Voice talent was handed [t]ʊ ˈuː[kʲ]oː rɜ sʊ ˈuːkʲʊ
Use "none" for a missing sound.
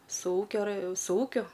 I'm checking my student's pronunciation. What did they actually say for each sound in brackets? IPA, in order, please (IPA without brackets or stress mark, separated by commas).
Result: s, kʲ